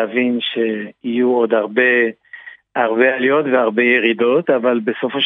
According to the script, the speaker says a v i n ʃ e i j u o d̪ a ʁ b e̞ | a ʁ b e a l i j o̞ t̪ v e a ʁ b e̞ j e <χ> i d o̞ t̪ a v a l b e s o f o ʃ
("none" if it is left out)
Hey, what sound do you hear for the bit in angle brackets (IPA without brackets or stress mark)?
ʁ